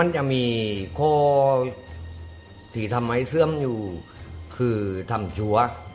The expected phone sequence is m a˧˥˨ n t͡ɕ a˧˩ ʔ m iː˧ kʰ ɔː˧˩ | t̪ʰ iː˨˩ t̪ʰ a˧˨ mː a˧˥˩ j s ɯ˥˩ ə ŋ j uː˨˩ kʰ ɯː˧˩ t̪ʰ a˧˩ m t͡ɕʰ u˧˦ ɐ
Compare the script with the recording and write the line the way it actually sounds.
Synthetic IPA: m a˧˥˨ n t͡ɕ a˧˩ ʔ m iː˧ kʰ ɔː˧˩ | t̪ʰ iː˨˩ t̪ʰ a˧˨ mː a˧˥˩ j s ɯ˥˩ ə m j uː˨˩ kʰ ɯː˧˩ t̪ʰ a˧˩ m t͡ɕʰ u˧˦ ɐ

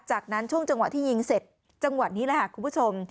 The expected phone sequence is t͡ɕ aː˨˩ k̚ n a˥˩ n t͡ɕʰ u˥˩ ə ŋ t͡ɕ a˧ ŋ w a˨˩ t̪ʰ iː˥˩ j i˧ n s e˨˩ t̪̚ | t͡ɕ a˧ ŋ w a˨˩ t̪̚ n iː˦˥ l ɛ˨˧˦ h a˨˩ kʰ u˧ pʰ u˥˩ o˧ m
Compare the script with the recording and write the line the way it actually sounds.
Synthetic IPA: t͡ɕ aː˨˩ k̚ n a˦˥ n t͡ɕʰ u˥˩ ə ŋ t͡ɕ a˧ ŋ w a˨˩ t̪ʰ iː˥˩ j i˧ ŋ s e˨˩ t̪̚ | t͡ɕ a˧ ŋ w a˨˩ t̪̚ n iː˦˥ l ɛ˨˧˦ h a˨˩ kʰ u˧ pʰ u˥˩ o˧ m

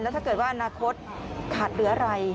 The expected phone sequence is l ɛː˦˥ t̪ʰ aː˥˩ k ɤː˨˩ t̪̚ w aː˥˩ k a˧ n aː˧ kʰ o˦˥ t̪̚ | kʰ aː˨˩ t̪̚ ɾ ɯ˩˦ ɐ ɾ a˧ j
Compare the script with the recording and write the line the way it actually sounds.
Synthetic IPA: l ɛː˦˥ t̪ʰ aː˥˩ k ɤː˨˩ t̪̚ w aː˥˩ ʔ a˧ n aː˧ kʰ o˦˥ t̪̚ | kʰ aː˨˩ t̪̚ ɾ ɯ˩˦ ɐ ɾ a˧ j

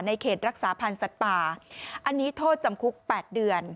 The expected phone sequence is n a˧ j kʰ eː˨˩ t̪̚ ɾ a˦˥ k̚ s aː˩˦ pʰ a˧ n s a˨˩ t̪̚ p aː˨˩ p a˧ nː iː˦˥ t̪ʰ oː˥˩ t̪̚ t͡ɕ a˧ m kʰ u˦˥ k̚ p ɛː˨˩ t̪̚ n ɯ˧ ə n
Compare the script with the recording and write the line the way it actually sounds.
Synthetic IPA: n a˧ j kʰ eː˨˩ t̪̚ ɾ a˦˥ k̚ s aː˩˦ pʰ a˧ n s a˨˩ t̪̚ p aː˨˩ ʔ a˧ nː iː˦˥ t̪ʰ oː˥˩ t̪̚ t͡ɕ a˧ m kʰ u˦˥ k̚ p ɛː˨˩ t̪̚ d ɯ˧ ə n

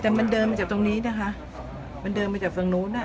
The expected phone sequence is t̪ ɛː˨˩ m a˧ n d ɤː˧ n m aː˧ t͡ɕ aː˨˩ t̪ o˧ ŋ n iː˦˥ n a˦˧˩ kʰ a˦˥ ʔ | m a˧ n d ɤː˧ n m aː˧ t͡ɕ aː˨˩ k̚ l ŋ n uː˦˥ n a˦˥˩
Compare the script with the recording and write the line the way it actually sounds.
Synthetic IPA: t̪ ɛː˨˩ m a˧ n d ɤː˧ n m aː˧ t͡ɕ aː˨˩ t̪ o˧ ŋ n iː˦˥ n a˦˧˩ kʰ a˦˥ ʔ | m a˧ n d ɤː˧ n m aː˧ t͡ɕ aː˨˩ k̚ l ŋ n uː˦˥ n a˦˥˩

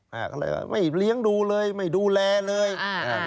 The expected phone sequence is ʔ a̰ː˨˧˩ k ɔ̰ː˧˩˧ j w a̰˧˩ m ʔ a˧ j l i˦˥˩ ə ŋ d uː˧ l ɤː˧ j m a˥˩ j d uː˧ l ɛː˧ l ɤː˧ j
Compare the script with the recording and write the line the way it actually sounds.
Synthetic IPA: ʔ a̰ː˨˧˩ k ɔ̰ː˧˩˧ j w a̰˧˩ m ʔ a˥˩ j l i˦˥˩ ə ŋ d uː˧ l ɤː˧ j m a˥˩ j d uː˧ l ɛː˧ l ɤː˧ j

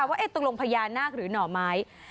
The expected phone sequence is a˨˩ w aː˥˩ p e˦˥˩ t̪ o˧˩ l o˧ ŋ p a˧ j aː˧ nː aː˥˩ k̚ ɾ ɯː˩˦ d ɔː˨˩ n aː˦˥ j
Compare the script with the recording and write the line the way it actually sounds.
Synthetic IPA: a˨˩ w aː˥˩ ʔ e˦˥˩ t̪ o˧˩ l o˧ ŋ pʰ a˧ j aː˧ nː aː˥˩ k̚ ɾ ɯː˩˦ n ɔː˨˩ m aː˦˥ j

